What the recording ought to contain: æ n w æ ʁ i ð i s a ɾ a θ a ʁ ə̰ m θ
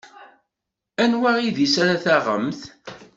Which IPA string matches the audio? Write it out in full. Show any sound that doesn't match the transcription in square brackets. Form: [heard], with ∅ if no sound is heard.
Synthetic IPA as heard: æ n w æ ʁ i ð i s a ɾ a θ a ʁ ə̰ m θ